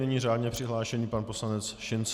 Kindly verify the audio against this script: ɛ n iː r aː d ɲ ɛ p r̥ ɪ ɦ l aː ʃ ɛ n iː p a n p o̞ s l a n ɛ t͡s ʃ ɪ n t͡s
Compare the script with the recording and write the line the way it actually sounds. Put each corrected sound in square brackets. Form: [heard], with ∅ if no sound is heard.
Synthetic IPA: ɛ [ɲ] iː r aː d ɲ ɛ p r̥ ɪ ɦ l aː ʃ ɛ [ɲ] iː p a n p o̞ s l a n ɛ t͡s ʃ ɪ n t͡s